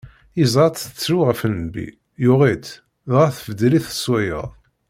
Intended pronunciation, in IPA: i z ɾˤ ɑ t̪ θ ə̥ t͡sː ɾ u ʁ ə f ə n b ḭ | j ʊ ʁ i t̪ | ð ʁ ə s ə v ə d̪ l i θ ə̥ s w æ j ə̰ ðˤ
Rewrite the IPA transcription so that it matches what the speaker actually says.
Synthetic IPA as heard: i z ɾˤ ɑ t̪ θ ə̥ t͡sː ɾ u ʁ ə f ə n b ḭ | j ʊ ʁ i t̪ | ð ʁ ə θ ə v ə d̪ l i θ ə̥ s w æ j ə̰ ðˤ